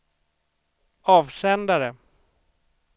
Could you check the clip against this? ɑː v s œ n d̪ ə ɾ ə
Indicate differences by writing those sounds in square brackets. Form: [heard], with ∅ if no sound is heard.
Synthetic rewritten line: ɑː v s [ɛ] n d̪ [a] ɾ ə